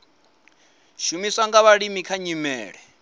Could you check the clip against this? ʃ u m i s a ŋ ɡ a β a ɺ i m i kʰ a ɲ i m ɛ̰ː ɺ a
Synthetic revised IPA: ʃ u m i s a ŋ ɡ a β a ɺ i m i kʰ a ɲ i m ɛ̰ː ɺ ɛ